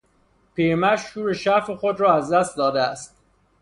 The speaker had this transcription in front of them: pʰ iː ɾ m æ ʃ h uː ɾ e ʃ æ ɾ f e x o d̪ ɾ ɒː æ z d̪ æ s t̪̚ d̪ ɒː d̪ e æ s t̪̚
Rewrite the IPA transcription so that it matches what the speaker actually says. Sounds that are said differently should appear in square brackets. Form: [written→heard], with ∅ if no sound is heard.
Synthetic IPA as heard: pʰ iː ɾ m æ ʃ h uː ɾ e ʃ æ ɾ f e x o d̪ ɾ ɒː æ z d̪ æ s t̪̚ d̪ ɒː d̪ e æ s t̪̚